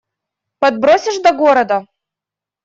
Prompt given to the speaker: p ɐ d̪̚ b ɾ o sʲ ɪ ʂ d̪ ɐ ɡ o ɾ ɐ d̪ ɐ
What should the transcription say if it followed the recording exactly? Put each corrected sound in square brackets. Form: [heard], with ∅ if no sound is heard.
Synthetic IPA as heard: p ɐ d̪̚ b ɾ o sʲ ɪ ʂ d̪ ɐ ɡ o ɾ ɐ d̪ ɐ